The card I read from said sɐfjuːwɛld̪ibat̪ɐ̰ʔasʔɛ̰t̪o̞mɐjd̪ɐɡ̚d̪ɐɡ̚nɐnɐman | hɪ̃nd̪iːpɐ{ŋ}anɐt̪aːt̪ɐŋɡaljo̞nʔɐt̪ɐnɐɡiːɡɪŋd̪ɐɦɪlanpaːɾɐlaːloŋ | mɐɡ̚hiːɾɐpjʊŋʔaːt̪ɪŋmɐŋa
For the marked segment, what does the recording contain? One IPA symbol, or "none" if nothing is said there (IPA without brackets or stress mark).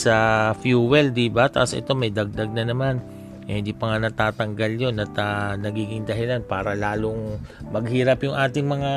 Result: ŋ